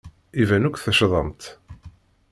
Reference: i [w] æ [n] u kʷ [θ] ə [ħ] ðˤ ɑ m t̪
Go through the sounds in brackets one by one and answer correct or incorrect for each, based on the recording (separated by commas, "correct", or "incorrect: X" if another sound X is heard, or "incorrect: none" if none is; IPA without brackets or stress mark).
incorrect: v, correct, correct, incorrect: ʃ